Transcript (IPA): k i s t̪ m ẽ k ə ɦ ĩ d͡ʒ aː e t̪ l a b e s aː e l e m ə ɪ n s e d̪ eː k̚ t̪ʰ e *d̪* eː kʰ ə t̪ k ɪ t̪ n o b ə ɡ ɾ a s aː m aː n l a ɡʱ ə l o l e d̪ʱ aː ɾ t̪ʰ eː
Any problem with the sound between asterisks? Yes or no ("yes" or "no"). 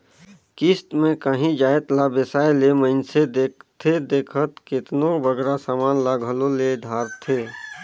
no